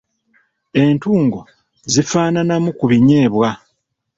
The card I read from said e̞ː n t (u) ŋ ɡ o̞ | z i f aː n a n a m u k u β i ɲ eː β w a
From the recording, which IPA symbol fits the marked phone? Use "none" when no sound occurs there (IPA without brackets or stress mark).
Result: uː